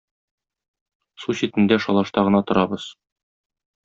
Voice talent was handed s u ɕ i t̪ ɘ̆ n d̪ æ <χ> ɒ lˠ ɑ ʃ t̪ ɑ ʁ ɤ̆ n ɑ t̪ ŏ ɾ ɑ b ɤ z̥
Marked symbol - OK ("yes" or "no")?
no